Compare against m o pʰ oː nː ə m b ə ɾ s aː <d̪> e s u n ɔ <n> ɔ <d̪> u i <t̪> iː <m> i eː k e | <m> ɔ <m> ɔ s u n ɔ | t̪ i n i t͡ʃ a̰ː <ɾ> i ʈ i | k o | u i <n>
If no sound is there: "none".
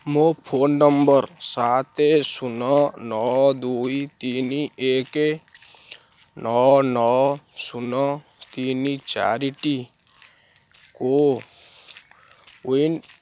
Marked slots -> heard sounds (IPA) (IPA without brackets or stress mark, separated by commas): t̪, n, d̪, t̪, n, n, n, ɾ, n